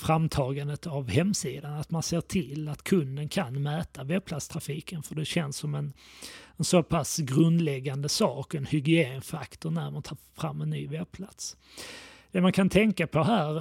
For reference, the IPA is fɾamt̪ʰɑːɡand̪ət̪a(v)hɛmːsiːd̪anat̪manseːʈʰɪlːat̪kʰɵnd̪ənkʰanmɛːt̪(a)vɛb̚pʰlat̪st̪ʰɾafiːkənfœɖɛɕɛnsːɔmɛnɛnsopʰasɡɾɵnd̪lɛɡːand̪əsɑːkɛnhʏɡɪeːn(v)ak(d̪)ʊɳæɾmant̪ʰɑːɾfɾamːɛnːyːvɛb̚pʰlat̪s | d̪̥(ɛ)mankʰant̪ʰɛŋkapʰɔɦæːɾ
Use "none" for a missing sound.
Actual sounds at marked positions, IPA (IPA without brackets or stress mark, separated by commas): v, a, f, t̪, ɛ